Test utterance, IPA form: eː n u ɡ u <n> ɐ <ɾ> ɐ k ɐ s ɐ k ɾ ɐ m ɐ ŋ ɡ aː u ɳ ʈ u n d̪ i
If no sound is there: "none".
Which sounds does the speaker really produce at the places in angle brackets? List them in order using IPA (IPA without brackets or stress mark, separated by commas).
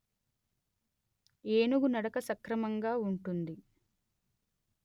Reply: n, ɽ